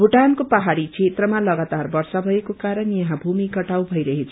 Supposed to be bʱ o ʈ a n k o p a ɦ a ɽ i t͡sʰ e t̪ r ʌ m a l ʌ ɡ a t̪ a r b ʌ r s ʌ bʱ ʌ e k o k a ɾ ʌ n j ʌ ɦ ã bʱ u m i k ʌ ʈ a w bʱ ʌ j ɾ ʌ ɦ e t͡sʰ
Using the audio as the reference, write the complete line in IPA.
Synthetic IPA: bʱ u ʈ a n k o p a ɦ a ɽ i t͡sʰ e t̪ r ʌ m a l ʌ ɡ a t̪ a r b ʌ r s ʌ bʱ ʌ e k o k a ɾ ʌ n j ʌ ɦ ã bʱ u m i k ʌ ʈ a w bʱ ʌ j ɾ ʌ ɦ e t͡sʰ